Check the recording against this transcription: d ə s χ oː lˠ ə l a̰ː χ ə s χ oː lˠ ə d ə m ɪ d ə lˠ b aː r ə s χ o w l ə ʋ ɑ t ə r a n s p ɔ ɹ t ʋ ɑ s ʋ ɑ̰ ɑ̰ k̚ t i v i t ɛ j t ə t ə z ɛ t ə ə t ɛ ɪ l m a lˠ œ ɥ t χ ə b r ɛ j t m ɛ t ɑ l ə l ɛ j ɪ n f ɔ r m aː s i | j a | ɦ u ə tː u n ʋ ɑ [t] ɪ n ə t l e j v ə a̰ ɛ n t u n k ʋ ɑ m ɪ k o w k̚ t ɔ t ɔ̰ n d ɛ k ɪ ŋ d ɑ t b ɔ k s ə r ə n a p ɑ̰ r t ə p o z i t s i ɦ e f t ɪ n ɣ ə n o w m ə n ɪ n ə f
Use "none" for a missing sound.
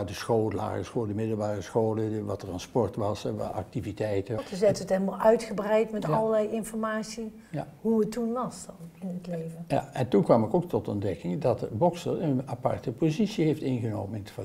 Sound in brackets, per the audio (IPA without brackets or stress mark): s